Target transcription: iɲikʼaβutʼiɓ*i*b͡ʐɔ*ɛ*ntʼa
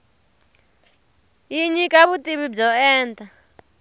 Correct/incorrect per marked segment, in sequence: correct, incorrect

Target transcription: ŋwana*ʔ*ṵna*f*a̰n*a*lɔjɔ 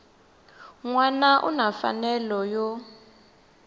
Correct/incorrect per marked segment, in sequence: correct, correct, incorrect

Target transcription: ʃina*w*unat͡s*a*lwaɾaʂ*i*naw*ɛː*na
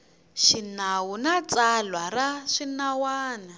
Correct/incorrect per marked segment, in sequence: correct, correct, correct, incorrect

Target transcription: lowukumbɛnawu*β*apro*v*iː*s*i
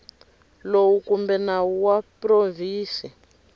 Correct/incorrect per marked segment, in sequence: incorrect, correct, correct

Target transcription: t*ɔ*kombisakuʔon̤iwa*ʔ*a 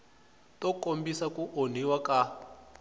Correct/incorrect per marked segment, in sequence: correct, incorrect

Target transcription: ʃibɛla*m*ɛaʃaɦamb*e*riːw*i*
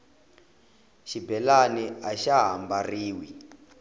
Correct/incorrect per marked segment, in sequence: incorrect, incorrect, correct

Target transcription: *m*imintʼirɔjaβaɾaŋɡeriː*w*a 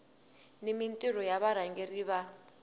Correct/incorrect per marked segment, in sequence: incorrect, incorrect

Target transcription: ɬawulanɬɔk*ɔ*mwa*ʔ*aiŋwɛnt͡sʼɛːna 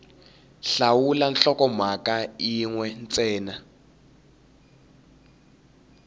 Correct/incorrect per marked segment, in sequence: correct, incorrect

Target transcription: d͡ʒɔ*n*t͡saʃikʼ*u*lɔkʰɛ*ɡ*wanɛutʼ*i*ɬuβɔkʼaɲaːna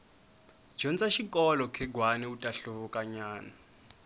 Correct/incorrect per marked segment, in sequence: correct, incorrect, correct, incorrect

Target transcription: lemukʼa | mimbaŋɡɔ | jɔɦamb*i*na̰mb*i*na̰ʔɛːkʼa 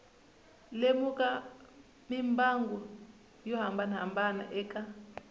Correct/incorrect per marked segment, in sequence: incorrect, incorrect

